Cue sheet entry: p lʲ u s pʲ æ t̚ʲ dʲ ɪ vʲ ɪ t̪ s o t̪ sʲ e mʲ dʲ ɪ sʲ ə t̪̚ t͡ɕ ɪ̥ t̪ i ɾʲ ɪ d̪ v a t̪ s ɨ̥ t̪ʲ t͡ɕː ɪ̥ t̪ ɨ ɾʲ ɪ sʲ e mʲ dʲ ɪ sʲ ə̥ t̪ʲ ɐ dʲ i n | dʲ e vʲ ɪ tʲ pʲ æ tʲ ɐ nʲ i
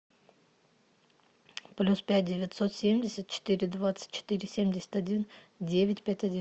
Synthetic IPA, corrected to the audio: p lʲ u s pʲ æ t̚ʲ dʲ ɪ vʲ ɪ t̪ s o t̪ sʲ e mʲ dʲ ɪ sʲ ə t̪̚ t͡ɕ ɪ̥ t̪ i ɾʲ ɪ d̪ v a t̪ s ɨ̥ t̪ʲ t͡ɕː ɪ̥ t̪ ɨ ɾʲ ɪ sʲ e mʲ dʲ ɪ sʲ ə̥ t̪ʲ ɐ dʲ i n | dʲ e vʲ ɪ tʲ pʲ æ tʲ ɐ dʲ i